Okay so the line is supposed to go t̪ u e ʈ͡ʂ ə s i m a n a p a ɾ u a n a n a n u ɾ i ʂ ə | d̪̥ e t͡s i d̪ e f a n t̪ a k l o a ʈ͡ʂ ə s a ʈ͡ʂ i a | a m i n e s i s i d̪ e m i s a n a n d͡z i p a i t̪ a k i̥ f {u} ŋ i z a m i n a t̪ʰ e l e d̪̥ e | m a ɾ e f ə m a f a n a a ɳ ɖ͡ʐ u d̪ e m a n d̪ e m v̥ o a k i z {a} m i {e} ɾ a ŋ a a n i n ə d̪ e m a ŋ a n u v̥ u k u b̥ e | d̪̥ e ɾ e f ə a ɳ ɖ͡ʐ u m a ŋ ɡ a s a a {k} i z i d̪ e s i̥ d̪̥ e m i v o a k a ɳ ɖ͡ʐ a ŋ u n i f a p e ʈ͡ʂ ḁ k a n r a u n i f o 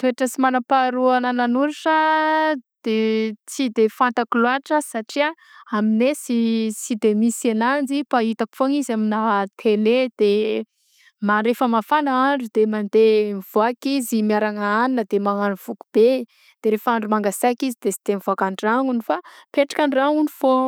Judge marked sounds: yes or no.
no, no, no, yes

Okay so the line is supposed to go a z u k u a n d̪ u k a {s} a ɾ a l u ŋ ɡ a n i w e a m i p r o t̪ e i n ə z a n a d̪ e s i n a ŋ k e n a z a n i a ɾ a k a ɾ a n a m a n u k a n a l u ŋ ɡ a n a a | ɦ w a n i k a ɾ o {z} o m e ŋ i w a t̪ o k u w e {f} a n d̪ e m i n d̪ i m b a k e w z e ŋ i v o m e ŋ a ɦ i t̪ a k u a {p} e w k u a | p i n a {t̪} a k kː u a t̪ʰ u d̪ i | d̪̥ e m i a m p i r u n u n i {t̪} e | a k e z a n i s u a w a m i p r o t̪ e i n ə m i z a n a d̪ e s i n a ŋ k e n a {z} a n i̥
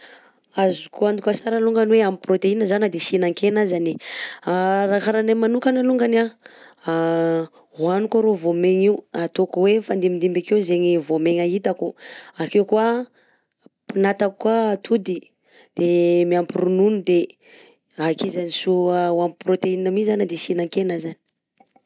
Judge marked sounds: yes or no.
yes, no, yes, no, yes, no, yes

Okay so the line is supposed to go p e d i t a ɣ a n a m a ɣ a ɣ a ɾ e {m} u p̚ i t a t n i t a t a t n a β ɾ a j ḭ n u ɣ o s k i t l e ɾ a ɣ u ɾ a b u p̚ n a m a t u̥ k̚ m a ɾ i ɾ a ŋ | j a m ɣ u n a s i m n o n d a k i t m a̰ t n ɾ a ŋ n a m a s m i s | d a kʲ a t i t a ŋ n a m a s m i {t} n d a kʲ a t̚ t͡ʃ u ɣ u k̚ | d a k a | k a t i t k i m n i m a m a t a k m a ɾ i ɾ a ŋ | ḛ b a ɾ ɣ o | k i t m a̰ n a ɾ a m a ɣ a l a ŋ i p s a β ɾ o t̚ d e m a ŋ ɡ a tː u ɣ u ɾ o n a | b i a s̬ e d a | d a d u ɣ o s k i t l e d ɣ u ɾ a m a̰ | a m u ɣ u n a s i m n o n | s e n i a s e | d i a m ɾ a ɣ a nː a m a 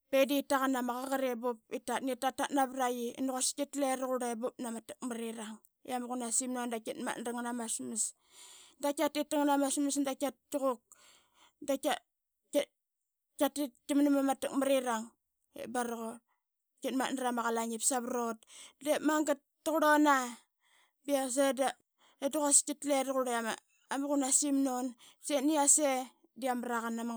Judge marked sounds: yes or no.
no, no

